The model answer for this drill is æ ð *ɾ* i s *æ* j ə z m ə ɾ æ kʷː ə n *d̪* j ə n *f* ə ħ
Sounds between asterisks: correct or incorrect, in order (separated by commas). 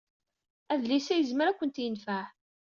incorrect, correct, incorrect, correct